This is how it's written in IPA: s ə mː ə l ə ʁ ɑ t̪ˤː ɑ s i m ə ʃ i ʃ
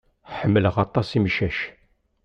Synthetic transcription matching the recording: ħ ə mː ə l ə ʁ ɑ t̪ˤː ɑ s i m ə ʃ æ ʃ